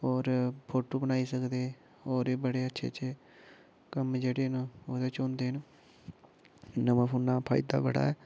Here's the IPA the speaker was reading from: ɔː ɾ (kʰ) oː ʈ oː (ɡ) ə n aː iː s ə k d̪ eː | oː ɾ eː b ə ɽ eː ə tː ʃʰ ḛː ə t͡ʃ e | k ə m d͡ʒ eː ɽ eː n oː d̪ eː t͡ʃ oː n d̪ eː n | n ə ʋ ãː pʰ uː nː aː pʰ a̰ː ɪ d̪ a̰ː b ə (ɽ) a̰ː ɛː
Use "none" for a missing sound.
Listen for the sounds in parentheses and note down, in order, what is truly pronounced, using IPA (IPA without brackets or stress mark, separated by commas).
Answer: pʰ, b, ɽ